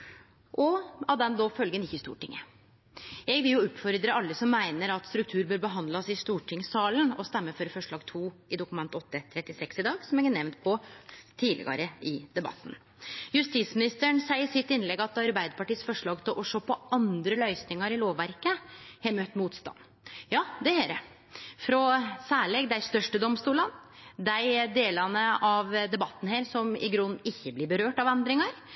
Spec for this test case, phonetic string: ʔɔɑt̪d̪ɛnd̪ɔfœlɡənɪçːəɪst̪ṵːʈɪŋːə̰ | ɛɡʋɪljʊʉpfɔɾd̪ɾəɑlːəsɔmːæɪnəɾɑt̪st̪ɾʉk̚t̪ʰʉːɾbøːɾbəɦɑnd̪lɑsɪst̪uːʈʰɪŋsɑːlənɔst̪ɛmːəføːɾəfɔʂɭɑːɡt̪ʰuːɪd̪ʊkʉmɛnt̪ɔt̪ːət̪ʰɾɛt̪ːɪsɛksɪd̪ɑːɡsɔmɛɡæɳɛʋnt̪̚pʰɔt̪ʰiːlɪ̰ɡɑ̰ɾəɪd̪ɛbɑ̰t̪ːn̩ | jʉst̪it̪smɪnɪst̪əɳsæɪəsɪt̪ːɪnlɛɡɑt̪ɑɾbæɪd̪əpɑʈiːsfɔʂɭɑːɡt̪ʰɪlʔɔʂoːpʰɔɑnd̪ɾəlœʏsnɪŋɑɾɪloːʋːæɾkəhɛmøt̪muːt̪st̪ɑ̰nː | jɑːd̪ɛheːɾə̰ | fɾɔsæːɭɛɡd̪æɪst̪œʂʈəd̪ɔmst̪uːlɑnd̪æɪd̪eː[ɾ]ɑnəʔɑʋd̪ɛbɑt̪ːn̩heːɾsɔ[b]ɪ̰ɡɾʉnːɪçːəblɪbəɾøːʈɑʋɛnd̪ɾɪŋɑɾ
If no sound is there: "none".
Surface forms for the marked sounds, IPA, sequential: l, m

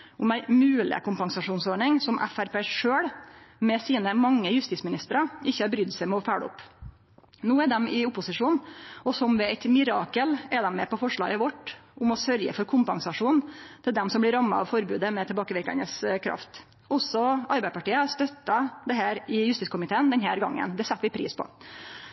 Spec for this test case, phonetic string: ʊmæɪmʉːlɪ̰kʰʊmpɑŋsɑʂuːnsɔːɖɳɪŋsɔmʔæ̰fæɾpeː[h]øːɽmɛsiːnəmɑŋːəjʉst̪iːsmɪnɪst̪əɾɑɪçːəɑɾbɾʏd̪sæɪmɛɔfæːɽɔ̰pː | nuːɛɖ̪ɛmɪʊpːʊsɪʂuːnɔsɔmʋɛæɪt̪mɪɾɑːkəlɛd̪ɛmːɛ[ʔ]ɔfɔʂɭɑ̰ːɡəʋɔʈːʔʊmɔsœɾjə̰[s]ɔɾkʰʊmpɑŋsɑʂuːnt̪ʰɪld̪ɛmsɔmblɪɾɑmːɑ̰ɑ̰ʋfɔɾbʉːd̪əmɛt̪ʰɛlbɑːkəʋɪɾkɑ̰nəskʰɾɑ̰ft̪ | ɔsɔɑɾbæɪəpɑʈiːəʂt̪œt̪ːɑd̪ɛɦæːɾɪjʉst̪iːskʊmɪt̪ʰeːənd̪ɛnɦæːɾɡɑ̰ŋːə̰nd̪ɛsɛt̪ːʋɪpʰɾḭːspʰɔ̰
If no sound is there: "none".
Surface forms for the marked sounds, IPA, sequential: ʂ, p, f

